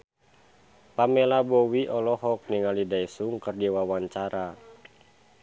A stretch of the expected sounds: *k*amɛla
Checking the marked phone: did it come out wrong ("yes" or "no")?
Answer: yes